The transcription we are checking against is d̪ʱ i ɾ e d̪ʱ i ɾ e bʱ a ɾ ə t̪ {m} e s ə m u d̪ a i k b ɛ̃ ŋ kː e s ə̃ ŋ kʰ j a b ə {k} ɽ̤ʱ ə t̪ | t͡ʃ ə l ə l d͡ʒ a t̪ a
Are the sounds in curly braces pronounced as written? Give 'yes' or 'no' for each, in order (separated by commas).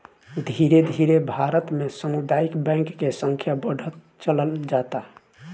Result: yes, no